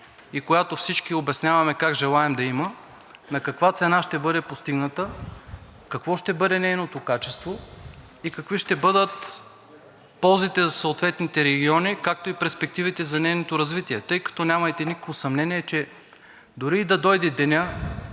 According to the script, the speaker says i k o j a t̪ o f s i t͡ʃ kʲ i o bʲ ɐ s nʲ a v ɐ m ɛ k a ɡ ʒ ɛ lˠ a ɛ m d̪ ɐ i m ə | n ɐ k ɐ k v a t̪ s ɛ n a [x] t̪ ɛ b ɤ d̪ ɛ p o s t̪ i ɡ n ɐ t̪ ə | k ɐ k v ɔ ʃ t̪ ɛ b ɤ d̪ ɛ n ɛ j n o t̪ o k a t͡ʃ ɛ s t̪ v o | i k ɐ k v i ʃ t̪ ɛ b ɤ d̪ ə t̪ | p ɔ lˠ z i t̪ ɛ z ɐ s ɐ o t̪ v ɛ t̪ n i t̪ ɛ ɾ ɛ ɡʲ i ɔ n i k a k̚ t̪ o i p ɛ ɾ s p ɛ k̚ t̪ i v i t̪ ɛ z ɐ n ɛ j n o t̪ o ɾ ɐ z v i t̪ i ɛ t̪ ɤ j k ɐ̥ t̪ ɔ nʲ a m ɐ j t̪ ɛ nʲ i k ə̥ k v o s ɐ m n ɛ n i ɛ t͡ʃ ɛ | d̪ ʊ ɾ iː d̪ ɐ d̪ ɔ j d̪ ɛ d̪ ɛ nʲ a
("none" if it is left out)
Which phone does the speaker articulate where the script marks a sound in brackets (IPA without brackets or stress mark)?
ʃ